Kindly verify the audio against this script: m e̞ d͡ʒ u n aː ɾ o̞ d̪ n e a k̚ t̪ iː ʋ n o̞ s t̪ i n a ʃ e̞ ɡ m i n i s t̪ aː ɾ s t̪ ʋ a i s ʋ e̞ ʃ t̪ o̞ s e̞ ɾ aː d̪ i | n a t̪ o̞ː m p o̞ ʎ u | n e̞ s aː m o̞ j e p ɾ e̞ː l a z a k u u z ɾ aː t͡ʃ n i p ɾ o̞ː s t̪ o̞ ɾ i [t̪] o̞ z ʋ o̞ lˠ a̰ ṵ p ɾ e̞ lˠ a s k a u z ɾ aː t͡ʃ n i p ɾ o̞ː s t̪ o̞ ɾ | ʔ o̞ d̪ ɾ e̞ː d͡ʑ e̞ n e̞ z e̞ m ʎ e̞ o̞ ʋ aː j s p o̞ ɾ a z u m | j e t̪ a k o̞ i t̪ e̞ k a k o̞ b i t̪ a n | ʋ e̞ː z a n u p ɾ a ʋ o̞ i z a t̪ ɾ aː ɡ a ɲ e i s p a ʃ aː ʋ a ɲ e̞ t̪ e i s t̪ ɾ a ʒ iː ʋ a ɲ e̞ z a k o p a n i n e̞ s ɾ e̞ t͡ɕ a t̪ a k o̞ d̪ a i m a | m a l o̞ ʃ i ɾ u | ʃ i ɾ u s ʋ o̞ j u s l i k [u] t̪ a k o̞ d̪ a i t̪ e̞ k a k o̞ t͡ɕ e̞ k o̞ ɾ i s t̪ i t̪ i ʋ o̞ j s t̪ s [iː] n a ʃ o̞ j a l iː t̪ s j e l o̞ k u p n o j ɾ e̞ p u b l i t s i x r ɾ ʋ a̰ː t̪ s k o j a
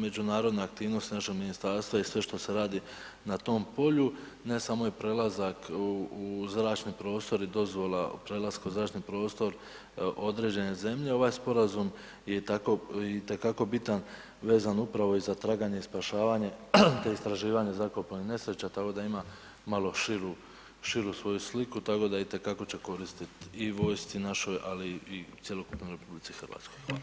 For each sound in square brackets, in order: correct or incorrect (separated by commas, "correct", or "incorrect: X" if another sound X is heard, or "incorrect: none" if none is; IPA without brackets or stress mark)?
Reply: incorrect: d̪, correct, incorrect: i